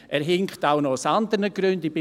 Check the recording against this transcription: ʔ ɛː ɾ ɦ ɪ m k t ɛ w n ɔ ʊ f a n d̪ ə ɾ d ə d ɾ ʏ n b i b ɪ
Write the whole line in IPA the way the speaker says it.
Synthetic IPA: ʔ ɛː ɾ ɦ ɪ ŋ k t a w n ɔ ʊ s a n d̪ ə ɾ n ə ɡ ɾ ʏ n d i b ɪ